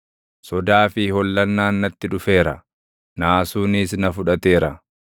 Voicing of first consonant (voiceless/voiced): voiceless